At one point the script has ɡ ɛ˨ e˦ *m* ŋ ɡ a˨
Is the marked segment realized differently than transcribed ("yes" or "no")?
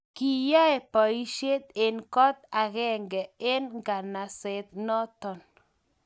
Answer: yes